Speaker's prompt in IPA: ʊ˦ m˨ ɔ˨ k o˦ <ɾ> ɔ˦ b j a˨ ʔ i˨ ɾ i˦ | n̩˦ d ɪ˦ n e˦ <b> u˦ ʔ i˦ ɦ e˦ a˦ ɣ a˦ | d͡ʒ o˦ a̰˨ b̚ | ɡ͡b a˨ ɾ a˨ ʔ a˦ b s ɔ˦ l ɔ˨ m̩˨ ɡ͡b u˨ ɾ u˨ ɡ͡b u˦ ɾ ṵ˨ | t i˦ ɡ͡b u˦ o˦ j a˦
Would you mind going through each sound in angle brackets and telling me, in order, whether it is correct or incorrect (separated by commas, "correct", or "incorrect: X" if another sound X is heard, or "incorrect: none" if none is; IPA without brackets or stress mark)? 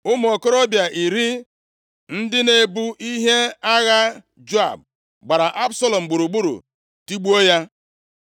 correct, correct